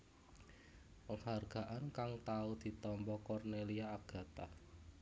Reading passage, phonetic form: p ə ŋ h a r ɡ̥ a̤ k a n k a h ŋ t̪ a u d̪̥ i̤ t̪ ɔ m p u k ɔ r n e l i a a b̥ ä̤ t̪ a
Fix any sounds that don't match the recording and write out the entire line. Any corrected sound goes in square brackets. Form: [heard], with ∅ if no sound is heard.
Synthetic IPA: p ə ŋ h a r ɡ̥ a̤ [ʔ] a n k a [∅] ŋ t̪ a u d̪̥ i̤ t̪ ɔ m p [ɔ] k ɔ r n e l i a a [ɡ̥] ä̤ t̪ a